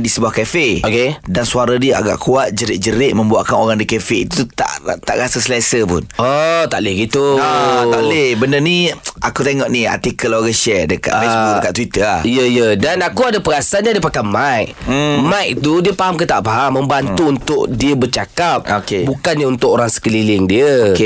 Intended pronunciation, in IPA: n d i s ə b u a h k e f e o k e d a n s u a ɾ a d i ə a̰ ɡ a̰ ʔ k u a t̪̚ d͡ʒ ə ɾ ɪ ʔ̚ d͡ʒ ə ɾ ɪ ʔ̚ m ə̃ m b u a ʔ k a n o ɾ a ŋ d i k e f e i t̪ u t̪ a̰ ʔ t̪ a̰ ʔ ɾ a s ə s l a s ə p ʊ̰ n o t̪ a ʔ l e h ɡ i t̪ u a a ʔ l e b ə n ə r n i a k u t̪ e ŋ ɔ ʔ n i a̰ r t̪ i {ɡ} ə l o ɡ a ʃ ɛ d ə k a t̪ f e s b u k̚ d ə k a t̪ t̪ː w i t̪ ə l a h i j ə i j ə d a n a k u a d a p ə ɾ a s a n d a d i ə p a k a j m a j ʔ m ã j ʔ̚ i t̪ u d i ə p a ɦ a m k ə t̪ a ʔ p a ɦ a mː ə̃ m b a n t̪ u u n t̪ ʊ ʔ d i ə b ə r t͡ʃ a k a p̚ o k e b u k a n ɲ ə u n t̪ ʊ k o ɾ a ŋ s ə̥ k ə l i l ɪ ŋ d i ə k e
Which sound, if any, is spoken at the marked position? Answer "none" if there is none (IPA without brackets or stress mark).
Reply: k